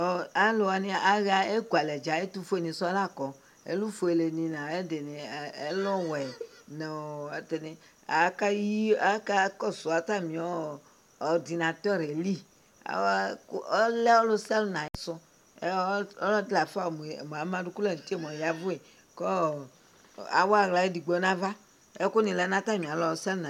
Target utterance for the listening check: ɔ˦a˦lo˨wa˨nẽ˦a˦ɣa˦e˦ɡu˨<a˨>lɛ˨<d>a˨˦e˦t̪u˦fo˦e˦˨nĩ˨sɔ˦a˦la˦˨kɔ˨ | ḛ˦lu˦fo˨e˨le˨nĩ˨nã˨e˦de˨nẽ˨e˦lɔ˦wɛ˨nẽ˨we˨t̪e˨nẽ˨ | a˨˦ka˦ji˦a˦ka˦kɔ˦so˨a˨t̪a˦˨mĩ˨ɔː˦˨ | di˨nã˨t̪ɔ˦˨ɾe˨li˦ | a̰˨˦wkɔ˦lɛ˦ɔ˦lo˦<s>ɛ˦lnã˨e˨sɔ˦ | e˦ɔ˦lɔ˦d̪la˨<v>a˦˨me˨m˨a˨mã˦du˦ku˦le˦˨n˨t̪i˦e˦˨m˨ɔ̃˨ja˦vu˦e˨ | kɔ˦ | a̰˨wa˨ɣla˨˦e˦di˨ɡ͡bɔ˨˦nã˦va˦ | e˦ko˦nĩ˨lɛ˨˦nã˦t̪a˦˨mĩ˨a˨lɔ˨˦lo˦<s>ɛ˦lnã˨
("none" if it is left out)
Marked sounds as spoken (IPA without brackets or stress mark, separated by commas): a˨, d͡ʒ, s, f, s